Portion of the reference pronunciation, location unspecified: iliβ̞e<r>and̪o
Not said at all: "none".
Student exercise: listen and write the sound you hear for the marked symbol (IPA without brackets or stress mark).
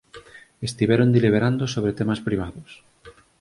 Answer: ɾ